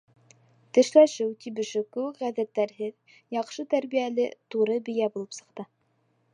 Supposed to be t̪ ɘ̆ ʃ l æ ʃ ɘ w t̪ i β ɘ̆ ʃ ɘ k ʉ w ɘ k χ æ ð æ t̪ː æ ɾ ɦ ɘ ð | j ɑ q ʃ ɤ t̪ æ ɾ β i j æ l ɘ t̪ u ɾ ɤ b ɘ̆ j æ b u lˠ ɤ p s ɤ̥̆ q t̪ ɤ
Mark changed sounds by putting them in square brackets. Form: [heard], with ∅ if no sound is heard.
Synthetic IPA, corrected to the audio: t̪ ɘ̆ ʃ l æ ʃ ɘ w t̪ i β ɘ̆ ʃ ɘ k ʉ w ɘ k [ʁ] æ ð æ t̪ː æ ɾ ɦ ɘ ð | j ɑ q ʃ ɤ t̪ æ ɾ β i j æ l ɘ t̪ u ɾ ɤ b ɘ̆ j æ b u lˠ ɤ p s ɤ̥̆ q t̪ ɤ